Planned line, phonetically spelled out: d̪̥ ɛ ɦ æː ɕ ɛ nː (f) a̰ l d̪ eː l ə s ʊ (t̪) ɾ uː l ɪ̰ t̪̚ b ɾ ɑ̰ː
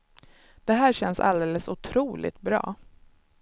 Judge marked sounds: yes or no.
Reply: no, no

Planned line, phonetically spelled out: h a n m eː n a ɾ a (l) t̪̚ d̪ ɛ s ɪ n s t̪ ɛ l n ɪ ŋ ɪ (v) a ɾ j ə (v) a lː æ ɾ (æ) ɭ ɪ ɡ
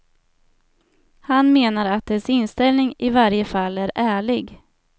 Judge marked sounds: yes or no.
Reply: no, yes, no, no

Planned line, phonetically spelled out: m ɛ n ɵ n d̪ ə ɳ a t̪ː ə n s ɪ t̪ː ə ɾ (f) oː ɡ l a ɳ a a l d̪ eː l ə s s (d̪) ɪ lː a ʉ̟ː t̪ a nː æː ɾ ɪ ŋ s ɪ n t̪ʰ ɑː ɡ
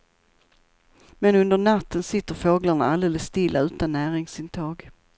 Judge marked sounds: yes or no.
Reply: yes, no

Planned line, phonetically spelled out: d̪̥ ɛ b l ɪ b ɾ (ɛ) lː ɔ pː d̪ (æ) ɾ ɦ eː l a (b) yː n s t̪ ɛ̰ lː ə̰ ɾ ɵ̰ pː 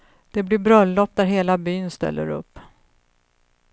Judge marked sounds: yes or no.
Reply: no, yes, yes

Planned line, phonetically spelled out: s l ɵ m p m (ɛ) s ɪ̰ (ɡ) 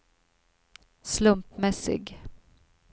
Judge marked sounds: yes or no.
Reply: yes, yes

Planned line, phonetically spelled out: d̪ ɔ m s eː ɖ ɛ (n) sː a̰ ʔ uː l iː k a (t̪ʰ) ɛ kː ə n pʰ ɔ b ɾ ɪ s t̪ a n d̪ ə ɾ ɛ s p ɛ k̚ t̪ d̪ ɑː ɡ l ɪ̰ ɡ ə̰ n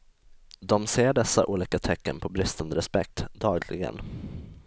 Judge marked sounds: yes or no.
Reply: no, yes

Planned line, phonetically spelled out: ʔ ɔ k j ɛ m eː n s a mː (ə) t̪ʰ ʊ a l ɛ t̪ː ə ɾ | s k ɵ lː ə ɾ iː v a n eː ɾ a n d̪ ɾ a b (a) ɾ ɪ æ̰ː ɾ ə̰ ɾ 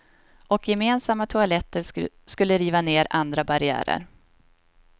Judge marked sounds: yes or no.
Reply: no, yes

